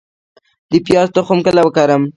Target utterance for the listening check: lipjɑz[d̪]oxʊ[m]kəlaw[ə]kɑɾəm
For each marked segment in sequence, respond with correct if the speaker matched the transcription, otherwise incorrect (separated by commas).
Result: incorrect, correct, correct